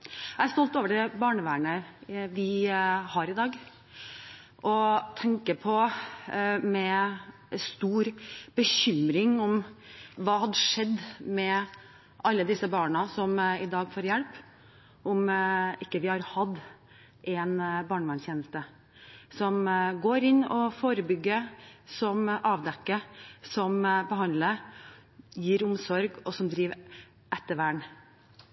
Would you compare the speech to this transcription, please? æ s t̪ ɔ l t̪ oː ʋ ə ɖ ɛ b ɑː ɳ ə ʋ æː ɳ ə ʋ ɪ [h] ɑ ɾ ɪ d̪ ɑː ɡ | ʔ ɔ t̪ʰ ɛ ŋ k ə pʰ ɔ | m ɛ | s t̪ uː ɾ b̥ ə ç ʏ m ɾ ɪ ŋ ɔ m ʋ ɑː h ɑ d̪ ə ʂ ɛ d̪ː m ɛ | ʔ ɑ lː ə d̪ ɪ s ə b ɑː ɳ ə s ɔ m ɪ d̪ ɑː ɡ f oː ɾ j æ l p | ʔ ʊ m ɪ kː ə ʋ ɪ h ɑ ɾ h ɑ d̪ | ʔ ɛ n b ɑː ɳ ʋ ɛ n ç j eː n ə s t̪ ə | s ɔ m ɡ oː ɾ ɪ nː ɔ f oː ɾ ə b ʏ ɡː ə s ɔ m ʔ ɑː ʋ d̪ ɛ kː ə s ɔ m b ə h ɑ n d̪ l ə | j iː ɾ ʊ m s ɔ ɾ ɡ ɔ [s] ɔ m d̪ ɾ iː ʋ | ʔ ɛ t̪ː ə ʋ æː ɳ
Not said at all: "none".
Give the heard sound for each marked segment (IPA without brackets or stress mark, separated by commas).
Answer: h, s